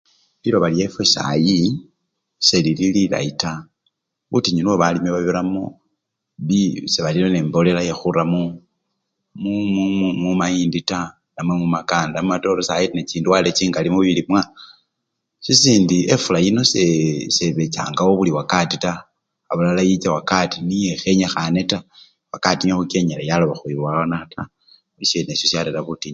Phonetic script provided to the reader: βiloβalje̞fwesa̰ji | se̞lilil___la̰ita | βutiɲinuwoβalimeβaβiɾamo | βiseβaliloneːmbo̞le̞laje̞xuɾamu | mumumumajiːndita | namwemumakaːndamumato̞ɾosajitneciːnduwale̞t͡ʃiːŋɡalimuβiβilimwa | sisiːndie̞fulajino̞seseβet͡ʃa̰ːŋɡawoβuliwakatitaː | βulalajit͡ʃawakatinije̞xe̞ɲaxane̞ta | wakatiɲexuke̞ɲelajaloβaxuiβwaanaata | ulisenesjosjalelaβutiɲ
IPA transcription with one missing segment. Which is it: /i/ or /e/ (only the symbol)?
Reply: i